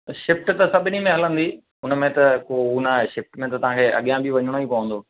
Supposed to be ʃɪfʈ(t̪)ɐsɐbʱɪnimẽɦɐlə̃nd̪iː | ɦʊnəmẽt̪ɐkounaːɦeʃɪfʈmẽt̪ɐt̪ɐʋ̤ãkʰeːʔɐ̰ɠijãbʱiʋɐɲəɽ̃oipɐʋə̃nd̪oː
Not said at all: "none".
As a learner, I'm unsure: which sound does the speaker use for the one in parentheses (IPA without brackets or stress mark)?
t̪